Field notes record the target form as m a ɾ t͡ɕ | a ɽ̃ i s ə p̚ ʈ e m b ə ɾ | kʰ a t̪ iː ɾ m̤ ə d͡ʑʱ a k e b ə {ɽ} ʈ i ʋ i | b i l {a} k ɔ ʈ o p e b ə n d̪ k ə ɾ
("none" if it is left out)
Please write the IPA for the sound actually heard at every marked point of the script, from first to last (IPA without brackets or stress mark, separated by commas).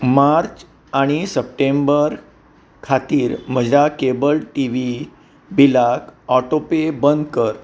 l, a